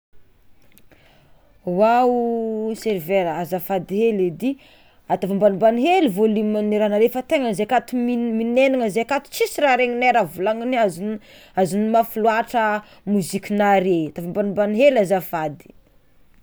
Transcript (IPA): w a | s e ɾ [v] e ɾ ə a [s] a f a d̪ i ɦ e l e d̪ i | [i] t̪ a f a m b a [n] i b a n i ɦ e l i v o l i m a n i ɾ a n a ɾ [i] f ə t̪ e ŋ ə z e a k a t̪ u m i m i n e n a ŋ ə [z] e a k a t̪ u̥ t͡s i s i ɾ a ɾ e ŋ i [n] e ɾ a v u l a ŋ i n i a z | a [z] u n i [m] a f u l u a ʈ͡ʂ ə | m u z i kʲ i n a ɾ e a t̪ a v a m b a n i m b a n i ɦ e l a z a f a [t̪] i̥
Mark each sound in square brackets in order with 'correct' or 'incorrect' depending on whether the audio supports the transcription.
correct, incorrect, incorrect, correct, incorrect, correct, correct, correct, correct, incorrect

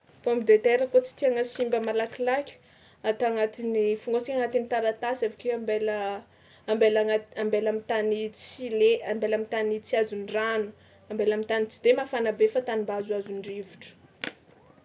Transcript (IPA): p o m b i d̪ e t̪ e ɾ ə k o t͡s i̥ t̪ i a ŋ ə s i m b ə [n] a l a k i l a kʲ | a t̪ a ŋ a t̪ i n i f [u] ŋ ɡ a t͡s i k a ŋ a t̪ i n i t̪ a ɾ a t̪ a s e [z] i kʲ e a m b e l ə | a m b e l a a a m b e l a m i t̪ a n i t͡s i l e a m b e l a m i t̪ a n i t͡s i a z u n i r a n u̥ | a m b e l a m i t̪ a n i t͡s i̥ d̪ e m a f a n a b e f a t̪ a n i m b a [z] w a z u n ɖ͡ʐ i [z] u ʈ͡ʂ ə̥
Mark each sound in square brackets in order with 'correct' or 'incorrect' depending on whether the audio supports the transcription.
incorrect, correct, incorrect, correct, incorrect

